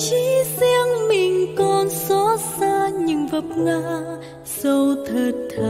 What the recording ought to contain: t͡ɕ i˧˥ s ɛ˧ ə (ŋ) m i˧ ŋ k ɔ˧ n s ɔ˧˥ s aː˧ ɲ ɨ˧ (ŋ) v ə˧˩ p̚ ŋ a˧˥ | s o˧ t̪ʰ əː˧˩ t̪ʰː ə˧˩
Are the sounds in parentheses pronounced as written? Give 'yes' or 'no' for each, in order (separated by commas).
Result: yes, yes